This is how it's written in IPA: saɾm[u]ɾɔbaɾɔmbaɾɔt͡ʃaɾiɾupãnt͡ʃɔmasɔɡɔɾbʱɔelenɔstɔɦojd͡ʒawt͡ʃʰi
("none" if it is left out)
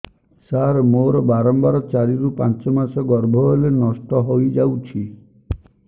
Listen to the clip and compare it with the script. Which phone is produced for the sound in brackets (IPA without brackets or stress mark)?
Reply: o